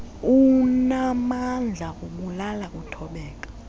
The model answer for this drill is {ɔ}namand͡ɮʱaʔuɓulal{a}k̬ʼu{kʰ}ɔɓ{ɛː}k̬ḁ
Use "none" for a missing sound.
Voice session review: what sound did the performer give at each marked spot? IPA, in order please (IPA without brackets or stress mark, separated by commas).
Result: u, a, tʰ, ɛː